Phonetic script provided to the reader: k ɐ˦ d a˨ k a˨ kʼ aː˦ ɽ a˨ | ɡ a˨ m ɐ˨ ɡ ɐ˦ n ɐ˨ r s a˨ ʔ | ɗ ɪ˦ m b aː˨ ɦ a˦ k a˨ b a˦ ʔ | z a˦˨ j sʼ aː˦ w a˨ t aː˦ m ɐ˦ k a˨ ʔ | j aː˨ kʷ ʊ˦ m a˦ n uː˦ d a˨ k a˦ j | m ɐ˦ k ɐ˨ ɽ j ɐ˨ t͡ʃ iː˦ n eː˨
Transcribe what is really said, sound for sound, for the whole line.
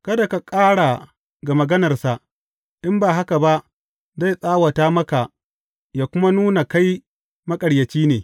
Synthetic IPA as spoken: k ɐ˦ d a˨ k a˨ kʼ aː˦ ɽ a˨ | ɡ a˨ m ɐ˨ ɡ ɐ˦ n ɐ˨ r s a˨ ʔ | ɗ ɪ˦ m b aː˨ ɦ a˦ k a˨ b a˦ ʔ | z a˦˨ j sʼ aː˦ w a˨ t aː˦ m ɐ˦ k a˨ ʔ | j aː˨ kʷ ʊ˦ m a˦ n uː˦ n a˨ k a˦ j | m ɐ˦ kʼ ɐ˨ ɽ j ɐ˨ t͡ʃ iː˦ n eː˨

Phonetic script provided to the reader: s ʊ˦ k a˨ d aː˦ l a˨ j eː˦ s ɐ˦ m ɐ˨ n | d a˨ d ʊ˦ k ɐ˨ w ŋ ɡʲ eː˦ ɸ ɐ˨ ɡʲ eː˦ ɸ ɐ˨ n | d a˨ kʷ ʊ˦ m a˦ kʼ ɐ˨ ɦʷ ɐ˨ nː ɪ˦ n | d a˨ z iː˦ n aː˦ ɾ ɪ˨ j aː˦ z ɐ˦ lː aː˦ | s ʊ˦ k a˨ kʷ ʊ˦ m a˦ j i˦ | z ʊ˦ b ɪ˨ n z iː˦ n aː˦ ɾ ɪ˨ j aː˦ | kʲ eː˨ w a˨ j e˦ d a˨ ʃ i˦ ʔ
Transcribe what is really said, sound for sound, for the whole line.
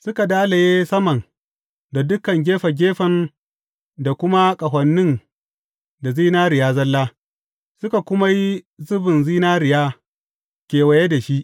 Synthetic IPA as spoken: s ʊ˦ k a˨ d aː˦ l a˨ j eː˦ s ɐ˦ m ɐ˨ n | d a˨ d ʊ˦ k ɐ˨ ŋ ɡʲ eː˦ ɸ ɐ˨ ɡʲ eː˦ ɸ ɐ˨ n | d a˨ kʷ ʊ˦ m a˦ kʼ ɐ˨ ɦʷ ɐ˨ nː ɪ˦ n | d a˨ z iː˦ n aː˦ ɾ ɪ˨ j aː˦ z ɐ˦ lː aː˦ | s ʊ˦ k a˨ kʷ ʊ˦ m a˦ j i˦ | z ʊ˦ b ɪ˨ n z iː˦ n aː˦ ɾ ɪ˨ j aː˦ | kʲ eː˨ w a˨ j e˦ d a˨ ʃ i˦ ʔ

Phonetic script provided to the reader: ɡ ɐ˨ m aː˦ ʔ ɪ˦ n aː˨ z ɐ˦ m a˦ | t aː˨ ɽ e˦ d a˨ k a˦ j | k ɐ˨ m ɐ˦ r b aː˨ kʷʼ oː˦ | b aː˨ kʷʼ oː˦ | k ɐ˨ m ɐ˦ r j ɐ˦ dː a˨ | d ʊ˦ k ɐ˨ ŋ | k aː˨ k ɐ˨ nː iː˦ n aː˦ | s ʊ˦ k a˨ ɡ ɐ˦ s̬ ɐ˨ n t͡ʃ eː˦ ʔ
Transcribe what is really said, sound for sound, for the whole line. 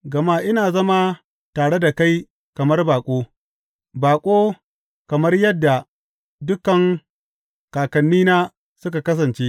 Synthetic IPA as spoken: ɡ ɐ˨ m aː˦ ʔ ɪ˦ n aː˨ z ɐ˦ m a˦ | t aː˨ ɽ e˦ d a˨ k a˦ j | k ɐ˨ m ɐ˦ r b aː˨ kʷʼ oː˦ | b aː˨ kʷʼ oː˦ | k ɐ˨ m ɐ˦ r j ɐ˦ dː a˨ | d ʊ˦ k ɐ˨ ŋ | k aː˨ k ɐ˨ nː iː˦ n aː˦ | s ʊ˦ k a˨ k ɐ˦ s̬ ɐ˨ n t͡ʃ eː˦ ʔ

